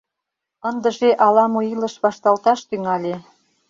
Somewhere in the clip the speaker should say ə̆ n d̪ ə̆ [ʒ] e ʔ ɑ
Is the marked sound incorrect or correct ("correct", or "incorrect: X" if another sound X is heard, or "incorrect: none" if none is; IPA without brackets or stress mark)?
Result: correct